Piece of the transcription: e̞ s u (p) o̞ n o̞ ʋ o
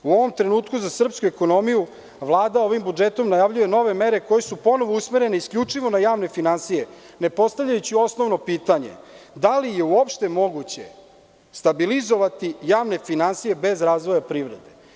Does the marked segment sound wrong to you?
no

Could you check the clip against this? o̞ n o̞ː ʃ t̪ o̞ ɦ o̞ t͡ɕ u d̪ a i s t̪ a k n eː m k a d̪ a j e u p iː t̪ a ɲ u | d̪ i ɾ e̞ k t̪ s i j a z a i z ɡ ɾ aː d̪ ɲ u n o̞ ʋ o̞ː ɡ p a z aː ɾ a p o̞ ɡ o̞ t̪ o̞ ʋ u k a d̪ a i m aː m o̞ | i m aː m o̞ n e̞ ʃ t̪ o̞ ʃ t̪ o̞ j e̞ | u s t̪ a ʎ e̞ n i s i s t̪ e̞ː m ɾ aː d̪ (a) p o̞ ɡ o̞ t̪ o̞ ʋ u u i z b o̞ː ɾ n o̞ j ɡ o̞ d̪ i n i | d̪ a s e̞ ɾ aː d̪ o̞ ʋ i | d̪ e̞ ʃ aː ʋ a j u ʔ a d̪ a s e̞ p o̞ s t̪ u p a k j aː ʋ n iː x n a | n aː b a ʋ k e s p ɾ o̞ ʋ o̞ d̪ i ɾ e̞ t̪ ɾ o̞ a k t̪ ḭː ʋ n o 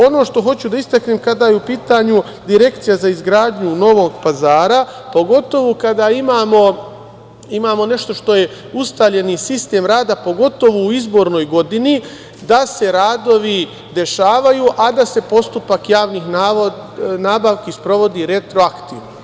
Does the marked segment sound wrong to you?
no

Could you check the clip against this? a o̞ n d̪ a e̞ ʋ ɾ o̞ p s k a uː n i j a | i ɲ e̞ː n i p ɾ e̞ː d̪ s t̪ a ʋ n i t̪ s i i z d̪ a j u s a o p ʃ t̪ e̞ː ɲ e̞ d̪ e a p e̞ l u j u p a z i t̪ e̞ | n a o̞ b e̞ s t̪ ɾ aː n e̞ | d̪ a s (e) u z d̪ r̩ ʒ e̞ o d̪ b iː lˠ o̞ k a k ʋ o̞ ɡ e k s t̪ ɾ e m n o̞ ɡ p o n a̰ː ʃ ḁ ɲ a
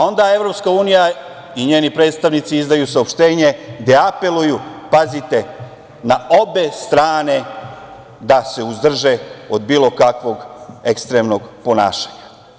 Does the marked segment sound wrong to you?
no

